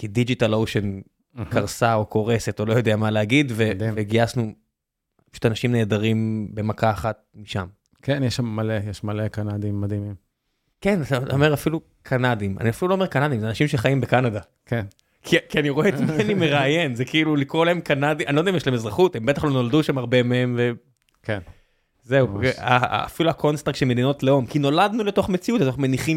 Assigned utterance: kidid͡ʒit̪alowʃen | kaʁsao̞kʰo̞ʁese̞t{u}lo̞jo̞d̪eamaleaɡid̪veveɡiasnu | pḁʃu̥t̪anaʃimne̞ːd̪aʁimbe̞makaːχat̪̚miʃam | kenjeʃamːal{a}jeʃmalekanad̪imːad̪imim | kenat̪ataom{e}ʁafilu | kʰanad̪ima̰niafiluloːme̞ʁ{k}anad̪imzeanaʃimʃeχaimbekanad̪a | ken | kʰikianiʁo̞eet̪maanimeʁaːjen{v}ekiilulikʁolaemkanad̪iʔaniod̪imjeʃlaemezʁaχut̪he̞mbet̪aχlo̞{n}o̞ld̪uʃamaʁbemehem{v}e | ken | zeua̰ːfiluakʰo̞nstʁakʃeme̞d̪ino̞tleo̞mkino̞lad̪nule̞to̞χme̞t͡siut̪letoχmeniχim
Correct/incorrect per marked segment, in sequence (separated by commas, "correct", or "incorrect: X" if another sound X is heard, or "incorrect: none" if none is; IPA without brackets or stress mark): incorrect: o, incorrect: e, correct, correct, incorrect: z, correct, correct